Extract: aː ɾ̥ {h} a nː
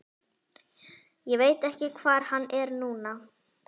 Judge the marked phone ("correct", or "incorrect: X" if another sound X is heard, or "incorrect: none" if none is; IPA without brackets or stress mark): correct